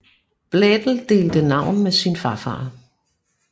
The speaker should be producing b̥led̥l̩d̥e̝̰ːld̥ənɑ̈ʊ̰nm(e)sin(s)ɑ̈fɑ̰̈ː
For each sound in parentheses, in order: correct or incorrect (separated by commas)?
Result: correct, incorrect